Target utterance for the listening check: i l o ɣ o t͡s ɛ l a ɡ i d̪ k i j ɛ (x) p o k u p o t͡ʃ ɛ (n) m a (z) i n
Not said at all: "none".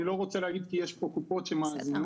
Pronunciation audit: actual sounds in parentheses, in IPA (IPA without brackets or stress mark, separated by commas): ʃ, none, z